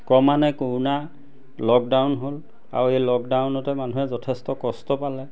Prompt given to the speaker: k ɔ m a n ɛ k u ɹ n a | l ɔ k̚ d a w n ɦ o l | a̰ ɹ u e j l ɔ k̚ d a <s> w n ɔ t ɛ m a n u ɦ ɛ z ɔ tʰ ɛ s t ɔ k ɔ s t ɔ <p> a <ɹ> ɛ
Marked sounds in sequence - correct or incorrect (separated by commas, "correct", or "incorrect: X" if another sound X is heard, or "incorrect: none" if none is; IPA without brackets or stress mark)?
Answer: incorrect: none, correct, incorrect: l